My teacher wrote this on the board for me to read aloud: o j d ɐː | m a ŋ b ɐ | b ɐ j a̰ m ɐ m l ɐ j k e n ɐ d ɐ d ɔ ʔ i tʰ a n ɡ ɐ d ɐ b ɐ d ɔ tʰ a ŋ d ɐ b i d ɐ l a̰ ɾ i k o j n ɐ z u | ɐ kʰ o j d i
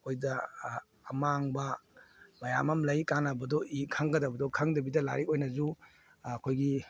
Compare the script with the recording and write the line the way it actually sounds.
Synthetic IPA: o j d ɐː | m a ŋ b ɐ | m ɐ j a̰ m ɐ m l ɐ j k a n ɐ b ɐ d ɔ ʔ i kʰ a ŋ ɡ ɐ d ɐ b ɐ d ɔ kʰ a ŋ d ɐ b i d ɐ l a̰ ɾ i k o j n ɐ z u | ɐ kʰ o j ɡ i